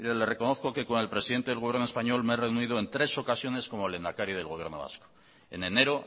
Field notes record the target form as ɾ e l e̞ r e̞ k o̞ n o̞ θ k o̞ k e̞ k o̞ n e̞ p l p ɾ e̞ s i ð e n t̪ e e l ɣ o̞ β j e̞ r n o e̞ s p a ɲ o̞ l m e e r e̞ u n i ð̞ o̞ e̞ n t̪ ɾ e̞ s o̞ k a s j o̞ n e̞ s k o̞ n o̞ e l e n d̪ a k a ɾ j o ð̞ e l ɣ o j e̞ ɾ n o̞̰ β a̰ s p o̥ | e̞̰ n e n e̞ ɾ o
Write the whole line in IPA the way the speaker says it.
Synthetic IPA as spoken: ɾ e l e̞ r e̞ k o̞ n o̞ θ k o̞ k e̞ k o̞ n e̞ l p ɾ e̞ s i ð e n t̪ e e l ɣ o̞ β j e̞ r n o e̞ s p a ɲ o̞ l m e e r e̞ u n i ð̞ o̞ e̞ n t̪ ɾ e̞ s o̞ k a s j o̞ n e̞ s k o̞ m o̞ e l e n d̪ a k a ɾ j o ð̞ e l ɣ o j e̞ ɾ n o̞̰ β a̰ s k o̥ | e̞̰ n e n e̞ ɾ o

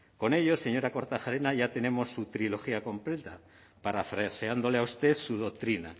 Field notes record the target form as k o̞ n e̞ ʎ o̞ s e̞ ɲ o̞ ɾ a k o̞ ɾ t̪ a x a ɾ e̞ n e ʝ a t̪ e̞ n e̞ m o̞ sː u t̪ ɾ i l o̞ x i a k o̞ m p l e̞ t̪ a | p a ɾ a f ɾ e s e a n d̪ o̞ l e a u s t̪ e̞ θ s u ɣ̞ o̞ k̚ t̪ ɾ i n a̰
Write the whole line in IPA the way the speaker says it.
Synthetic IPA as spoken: k o̞ n e̞ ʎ o̞ s e̞ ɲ o̞ ɾ a k o̞ ɾ t̪ a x a ɾ e̞ n a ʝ a t̪ e̞ n e̞ m o̞ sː u t̪ ɾ i l o̞ x i a k o̞ m p l e̞ t̪ a | p a ɾ a f ɾ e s e a n d̪ o̞ l e a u s t̪ e̞ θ s u ð̞ o̞ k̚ t̪ ɾ i n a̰

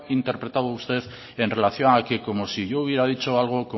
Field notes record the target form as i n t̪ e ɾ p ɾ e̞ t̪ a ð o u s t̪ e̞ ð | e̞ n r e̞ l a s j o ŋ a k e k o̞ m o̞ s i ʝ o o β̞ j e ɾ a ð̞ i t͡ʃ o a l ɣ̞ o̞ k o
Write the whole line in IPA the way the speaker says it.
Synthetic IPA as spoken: i n t̪ e ɾ p ɾ e̞ t̪ a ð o u s t̪ e̞ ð | e̞ n r e̞ l a θ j o ŋ a k e k o̞ m o̞ s i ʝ o u β̞ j e ɾ a ð̞ i t͡ʃ o a l ɣ̞ o̞ k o

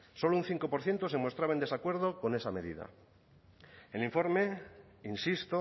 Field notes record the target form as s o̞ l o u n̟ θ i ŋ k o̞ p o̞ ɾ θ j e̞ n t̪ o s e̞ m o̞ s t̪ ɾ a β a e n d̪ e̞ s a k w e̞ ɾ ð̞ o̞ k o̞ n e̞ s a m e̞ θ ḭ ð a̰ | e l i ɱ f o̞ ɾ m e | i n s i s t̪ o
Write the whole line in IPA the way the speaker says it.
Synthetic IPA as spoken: s o̞ l o u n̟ θ i ŋ k o̞ p o̞ ɾ θ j e̞ n t̪ o s e̞ m o̞ s t̪ ɾ a β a e n d̪ e̞ s a k w e̞ ɾ ð̞ o̞ k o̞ n e̞ s a m e̞ ð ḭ ð a̰ | e l i ɱ f o̞ ɾ m e | i n s i s t̪ o

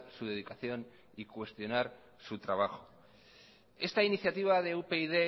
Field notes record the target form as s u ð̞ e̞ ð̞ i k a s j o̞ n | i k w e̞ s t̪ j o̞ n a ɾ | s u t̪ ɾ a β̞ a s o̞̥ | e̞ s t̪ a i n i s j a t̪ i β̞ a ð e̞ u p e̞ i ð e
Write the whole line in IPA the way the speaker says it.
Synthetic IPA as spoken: s u ð̞ e̞ ð̞ i k a θ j o̞ n | i k w e̞ s t̪ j o̞ n a ɾ | s u t̪ ɾ a β̞ a x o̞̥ | e̞ s t̪ a i n i θ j a t̪ i β̞ a ð e̞ u p e̞ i ð e

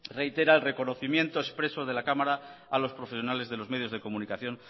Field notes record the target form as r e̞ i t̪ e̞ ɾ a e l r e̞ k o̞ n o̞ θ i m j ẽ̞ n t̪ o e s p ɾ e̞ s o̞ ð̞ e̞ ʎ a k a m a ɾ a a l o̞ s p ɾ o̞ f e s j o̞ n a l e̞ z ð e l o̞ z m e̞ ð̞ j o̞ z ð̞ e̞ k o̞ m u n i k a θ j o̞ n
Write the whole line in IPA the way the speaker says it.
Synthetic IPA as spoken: r e̞ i t̪ e̞ ɾ a e l r e̞ k o̞ n o̞ θ i m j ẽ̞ n t̪ o e s p ɾ e̞ s o̞ ð̞ e̞ l a k a m a ɾ a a l o̞ s p ɾ o̞ f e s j o̞ n a l e̞ z ð e l o̞ z m e̞ ð̞ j o̞ z ð̞ e̞ k o̞ m u n i k a θ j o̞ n

